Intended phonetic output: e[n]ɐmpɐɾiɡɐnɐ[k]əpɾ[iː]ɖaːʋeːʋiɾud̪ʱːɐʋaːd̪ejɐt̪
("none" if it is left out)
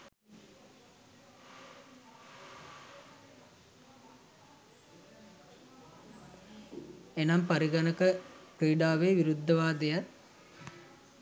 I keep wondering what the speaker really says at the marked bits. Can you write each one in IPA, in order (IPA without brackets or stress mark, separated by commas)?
n, k, iː